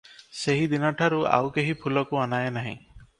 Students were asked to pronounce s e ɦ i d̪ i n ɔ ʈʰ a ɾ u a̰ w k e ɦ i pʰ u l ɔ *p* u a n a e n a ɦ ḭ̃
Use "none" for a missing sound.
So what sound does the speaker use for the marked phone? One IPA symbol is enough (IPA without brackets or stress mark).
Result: k